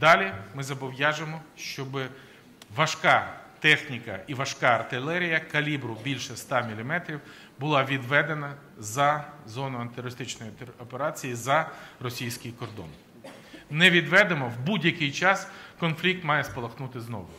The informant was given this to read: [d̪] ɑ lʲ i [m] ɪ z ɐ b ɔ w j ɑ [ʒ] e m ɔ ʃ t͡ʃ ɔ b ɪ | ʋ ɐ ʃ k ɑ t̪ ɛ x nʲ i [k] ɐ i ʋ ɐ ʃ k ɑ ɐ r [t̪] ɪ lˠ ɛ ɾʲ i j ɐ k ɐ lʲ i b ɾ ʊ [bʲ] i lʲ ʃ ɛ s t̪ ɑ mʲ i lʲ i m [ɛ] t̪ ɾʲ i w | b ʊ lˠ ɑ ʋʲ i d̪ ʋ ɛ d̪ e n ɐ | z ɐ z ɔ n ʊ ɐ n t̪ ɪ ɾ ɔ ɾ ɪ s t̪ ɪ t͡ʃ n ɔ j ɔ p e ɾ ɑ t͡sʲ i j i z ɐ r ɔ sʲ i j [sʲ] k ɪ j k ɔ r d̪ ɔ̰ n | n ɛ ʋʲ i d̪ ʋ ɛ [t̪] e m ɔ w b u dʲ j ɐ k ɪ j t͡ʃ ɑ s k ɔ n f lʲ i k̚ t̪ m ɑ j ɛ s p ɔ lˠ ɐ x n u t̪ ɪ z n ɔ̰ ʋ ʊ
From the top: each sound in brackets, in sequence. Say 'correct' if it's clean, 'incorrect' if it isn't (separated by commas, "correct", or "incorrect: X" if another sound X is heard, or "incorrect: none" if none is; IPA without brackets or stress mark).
correct, correct, correct, correct, correct, correct, correct, correct, incorrect: d̪